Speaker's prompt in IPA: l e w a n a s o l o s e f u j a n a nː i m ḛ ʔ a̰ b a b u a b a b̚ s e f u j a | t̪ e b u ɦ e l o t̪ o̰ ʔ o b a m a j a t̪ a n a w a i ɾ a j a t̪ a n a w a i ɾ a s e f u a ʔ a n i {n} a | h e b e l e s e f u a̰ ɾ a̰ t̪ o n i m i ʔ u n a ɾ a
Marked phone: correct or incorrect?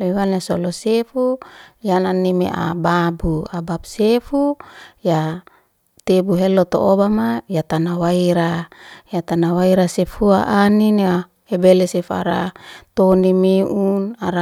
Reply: correct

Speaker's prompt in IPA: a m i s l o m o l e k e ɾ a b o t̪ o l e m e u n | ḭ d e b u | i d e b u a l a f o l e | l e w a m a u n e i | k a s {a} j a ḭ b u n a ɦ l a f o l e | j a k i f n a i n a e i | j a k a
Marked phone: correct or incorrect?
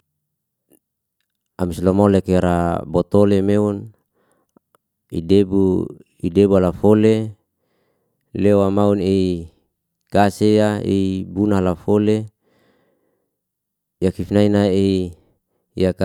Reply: incorrect: e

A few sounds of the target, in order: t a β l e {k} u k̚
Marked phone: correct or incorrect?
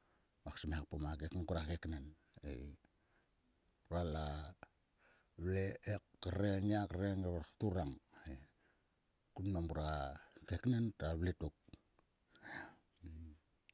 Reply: incorrect: t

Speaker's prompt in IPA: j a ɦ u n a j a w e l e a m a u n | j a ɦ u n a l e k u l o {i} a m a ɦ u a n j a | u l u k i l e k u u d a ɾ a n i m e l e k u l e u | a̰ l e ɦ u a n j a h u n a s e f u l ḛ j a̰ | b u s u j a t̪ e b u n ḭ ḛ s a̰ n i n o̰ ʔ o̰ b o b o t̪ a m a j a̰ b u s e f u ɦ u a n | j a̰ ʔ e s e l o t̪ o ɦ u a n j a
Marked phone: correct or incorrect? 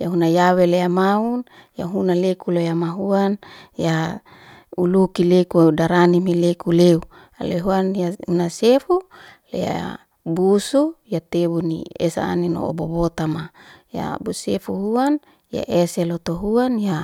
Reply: incorrect: j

